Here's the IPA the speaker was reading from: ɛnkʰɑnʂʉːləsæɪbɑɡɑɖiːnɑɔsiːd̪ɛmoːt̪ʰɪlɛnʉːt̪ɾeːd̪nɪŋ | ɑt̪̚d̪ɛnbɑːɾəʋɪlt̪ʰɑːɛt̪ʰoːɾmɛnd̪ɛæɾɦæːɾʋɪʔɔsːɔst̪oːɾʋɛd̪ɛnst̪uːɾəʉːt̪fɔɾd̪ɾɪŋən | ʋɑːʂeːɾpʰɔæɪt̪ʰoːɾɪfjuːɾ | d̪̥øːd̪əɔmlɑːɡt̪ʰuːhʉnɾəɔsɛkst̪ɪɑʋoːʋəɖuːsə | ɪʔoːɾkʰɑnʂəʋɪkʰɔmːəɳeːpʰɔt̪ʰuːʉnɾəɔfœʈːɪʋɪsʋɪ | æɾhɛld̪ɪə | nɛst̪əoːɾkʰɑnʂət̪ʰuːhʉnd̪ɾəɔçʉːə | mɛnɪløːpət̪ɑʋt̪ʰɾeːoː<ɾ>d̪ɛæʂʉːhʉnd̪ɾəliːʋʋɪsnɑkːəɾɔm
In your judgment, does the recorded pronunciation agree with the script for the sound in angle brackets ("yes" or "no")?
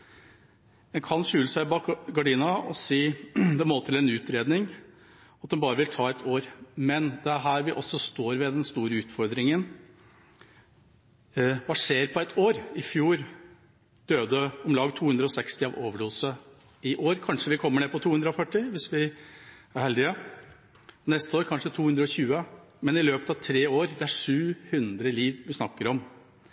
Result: yes